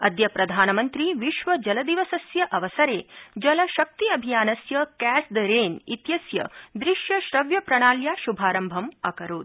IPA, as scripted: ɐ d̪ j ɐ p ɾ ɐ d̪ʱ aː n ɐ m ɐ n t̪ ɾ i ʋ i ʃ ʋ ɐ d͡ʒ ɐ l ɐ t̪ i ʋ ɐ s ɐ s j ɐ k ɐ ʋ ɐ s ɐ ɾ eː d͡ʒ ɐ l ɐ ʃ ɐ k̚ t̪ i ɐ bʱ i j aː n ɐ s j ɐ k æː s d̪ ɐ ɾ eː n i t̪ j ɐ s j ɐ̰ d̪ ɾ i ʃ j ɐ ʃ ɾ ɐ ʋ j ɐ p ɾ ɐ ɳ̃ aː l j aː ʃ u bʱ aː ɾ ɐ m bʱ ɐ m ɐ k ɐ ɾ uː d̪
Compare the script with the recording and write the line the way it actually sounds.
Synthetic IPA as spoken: ɐ d̪ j ɐ p ɾ ɐ d̪ʱ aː n ɐ m ɐ n t̪ ɾ i ʋ i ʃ ʋ ɐ d͡ʒ ɐ l ɐ d̪ i ʋ ɐ s ɐ s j ɐ ʔ ɐ ʋ ɐ s ɐ ɾ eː d͡ʒ ɐ l ɐ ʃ ɐ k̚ t̪ i ɐ bʱ i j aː n ɐ s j ɐ k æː s d̪ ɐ ɾ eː n i t̪ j ɐ s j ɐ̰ d̪ ɾ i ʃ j ɐ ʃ ɾ ɐ ʋ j ɐ p ɾ ɐ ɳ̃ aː l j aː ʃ u bʱ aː ɾ ɐ m bʱ ɐ m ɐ k ɐ ɾ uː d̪

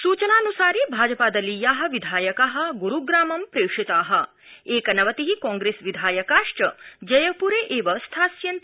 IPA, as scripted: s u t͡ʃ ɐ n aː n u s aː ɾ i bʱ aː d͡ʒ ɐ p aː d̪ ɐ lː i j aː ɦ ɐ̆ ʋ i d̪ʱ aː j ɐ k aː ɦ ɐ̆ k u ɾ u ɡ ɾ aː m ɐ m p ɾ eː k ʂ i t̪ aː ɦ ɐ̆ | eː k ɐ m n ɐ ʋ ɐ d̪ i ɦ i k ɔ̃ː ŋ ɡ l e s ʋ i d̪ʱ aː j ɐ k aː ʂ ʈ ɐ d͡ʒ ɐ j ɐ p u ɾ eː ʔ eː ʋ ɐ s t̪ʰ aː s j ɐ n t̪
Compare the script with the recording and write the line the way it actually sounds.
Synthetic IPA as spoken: s uː t͡ʃ ɐ n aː n u s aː ɾ i bʱ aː d͡ʒ ɐ p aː d̪ ɐ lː i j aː ɦ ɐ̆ ʋ i d̪ʱ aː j ɐ k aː ɦ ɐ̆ ɡ u ɾ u ɡ ɾ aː m ɐ m p ɾ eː k ʂ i t̪ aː ɦ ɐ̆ | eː k ɐ n ɐ ʋ ɐ t̪ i ɦ i k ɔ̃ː ŋ ɡ ɾ e s ʋ i d̪ʱ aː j ɐ k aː ʂ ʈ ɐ d͡ʒ ɐ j ɐ p u ɾ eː ʔ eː ʋ ɐ s t̪ʰ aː s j ɐ n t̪

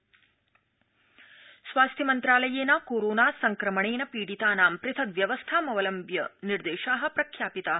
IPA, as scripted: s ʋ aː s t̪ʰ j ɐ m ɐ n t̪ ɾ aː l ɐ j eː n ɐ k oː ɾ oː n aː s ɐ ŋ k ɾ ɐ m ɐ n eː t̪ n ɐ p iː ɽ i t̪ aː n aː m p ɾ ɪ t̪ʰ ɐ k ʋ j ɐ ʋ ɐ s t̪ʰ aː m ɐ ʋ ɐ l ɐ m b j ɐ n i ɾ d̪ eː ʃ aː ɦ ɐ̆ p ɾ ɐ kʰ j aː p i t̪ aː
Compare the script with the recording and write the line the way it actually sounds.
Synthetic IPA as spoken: s ʋ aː s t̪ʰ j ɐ m ɐ n t̪ ɾ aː l ɐ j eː n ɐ k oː ɾ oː n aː s ɐ ŋ k ɾ ɐ m ɐ ɳ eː n ɐ p iː ɽ i t̪ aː n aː m p ɾ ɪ t̪ʰ ɐ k ʋ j ɐ ʋ ɐ s t̪ʰ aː m ɐ ʋ ɐ l ɐ m b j ɐ n i ɾ d̪ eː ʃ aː ɦ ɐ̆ p ɾ ɐ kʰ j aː p i t̪ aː

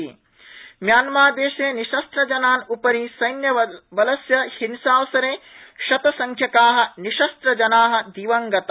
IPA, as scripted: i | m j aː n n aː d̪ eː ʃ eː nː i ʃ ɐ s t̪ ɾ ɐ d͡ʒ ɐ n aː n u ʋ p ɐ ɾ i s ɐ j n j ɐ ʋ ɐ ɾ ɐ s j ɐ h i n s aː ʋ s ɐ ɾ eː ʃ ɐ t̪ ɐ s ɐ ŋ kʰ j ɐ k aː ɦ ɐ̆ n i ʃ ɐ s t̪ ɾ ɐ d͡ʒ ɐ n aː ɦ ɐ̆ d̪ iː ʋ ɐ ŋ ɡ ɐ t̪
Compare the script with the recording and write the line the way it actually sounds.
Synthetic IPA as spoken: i | m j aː n m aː d̪ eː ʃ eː n i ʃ ɐ s t̪ ɾ ɐ d͡ʒ ɐ n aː n u p ɐ ɾ i s ɐ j n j ɐ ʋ ɐ l ɐ s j ɐ h i n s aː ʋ s ɐ ɾ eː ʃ ɐ t̪ ɐ s ɐ ŋ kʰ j ɐ k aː ɦ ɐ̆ n i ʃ ɐ s t̪ ɾ ɐ d͡ʒ ɐ n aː ɦ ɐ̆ d̪ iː ʋ ɐ ŋ ɡ ɐ t̪

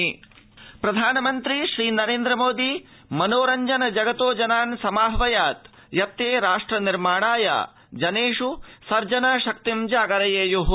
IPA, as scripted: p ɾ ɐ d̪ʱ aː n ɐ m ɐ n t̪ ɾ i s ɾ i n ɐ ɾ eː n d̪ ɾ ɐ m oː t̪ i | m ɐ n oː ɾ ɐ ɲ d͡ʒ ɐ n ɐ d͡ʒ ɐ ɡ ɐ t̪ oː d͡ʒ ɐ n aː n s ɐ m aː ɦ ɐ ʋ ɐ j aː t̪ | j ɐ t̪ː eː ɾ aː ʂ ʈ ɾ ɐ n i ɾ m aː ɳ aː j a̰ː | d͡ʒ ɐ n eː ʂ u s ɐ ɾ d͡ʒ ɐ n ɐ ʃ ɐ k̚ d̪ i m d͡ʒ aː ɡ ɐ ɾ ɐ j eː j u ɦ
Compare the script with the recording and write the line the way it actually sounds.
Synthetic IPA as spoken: p ɾ ɐ d̪ʱ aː n ɐ m ɐ n t̪ ɾ i ʃ ɾ iː n ɐ ɾ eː n d̪ ɾ ɐ m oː d̪ i | m ɐ n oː ɾ ɐ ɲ d͡ʒ ɐ n ɐ d͡ʒ ɐ ɡ ɐ t̪ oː d͡ʒ ɐ n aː n s ɐ m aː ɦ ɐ ʋ ɐ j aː t̪ | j ɐ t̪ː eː ɾ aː ʂ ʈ ɾ ɐ n i ɾ m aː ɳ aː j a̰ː | d͡ʒ ɐ n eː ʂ u s ɐ ɾ d͡ʒ ɐ n ɐ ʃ ɐ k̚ t̪ i m d͡ʒ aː ɡ ɐ ɾ ɐ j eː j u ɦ

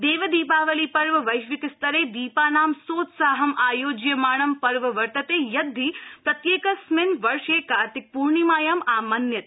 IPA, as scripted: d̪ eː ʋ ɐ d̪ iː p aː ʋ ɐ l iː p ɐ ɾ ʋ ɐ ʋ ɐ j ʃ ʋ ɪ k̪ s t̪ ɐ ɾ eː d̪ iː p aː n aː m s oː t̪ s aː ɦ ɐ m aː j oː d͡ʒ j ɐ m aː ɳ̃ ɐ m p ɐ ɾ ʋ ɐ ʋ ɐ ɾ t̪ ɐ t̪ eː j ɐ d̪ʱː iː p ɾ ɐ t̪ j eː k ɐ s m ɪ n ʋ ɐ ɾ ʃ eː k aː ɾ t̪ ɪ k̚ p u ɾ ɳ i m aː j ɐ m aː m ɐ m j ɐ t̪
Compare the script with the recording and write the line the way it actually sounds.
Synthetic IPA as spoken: d̪ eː ʋ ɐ d̪ iː p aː ʋ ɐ l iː p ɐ ɾ ʋ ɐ ʋ ɐ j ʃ ʋ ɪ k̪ s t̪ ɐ ɾ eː d̪ iː p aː n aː m s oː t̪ s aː ɦ ɐ m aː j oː d͡ʒ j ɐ m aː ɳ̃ ɐ m p ɐ ɾ ʋ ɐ ʋ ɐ ɾ t̪ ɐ t̪ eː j ɐ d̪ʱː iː p ɾ ɐ t̪ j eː k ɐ s m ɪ n ʋ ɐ ɾ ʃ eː k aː ɾ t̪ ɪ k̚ p u ɾ ɳ i m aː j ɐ m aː m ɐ n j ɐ t̪

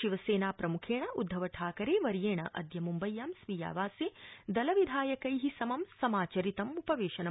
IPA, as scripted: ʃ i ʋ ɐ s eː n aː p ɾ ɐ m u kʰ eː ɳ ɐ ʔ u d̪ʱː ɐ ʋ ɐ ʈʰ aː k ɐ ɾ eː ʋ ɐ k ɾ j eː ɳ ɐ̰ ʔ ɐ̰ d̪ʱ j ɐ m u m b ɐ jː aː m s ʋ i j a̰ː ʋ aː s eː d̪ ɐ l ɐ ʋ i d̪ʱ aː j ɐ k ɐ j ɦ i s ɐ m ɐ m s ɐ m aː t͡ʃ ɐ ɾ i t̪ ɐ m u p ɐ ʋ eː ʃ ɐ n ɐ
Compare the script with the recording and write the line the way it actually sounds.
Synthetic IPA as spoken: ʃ i ʋ ɐ s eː n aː p ɾ ɐ m u kʰ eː ɳ ɐ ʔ u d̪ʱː ɐ ʋ ɐ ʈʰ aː k ɐ ɾ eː ʋ ɐ ɾ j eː ɳ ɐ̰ ʔ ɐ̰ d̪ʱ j ɐ m u m b ɐ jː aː m s ʋ i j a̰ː ʋ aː s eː d̪ ɐ l ɐ ʋ i d̪ʱ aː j ɐ k ɐ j ɦ i s ɐ m ɐ m s ɐ m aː t͡ʃ ɐ ɾ i t̪ ɐ m u p ɐ ʋ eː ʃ ɐ n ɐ

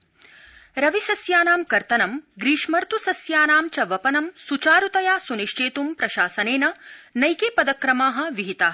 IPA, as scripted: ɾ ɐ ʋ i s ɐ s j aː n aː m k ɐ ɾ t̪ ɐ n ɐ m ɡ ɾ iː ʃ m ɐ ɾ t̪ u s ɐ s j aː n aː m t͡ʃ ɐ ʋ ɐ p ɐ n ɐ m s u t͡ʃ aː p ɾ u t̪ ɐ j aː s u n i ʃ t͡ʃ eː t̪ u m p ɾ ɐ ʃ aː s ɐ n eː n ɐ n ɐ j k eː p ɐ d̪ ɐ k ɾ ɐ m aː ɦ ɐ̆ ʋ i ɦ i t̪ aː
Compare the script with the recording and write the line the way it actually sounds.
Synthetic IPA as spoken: ɾ ɐ ʋ i s ɐ s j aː n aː m k ɐ ɾ t̪ ɐ n ɐ m ɡ ɾ iː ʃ m ɐ ɾ t̪ u s ɐ s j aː n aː m t͡ʃ ɐ ʋ ɐ p ɐ n ɐ m s u t͡ʃ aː ɾ u t̪ ɐ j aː s u n i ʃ t͡ʃ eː t̪ u m p ɾ ɐ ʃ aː s ɐ n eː n ɐ n ɐ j k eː p ɐ d̪ ɐ k ɾ ɐ m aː ɦ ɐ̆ ʋ i ɦ i t̪ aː

